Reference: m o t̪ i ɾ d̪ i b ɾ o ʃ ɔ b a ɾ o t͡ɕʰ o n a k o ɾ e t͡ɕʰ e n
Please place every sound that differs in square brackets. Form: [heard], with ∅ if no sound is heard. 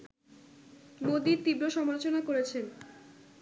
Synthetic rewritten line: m o [d̪] i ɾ [t̪] i b ɾ o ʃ ɔ [m] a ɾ o [t͡ɕ] o n a k o ɾ e t͡ɕʰ e n